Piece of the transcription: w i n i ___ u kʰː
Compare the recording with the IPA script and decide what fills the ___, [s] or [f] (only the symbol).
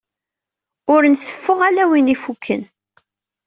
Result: f